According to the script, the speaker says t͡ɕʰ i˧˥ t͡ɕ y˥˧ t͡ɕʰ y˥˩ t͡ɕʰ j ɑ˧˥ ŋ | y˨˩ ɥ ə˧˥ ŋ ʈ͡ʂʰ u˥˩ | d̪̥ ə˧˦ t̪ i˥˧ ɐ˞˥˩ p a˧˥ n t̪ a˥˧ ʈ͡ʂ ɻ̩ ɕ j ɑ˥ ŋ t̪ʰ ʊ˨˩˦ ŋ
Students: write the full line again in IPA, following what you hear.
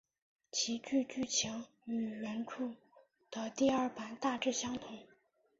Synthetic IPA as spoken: t͡ɕʰ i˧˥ t͡ɕ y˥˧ t͡ɕ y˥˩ t͡ɕʰ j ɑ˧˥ ŋ | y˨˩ ɥ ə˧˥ n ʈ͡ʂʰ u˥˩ | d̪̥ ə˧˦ t̪ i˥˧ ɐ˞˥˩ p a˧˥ n t̪ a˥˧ ʈ͡ʂ ɻ̩ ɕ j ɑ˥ ŋ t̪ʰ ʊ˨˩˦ ŋ